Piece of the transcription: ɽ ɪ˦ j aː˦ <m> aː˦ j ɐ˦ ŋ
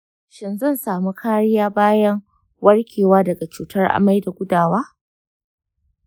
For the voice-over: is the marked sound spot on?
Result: no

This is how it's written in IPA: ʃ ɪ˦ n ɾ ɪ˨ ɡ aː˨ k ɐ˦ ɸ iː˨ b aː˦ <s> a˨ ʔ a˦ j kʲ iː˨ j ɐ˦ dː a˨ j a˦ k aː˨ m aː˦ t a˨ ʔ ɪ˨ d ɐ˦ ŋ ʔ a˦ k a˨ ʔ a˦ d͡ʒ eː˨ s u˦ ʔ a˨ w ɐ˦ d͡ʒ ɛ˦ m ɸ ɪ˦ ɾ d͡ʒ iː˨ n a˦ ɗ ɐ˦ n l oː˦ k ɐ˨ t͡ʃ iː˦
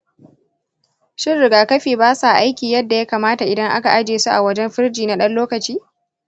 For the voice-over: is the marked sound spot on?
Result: yes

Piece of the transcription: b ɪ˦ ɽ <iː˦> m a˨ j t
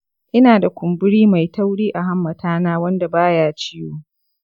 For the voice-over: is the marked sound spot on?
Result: yes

